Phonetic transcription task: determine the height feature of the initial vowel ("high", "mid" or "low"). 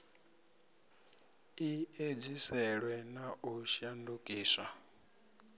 high